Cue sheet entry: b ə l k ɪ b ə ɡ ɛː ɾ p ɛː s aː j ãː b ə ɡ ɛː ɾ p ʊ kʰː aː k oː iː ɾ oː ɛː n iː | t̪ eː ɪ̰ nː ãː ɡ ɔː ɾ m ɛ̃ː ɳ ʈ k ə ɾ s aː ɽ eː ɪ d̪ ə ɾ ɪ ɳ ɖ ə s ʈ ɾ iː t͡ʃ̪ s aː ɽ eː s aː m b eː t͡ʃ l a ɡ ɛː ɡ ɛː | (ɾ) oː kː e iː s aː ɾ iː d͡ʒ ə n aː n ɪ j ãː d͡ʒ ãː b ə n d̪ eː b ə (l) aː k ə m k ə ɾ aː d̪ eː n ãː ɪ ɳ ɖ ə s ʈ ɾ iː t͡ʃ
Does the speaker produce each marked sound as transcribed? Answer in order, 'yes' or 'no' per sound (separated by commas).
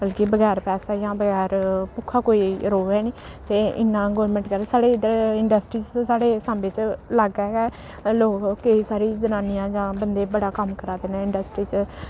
no, no